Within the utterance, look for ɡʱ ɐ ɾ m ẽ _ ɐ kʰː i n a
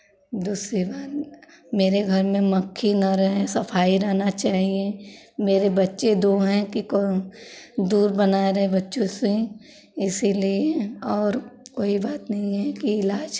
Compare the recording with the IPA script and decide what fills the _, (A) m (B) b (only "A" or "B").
A